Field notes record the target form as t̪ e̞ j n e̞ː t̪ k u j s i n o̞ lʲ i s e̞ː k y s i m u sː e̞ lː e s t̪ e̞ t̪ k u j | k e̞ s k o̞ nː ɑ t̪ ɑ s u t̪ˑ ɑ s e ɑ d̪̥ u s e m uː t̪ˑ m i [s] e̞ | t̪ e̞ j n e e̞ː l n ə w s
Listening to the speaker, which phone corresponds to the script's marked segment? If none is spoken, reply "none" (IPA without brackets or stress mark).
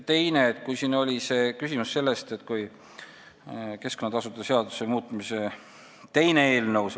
s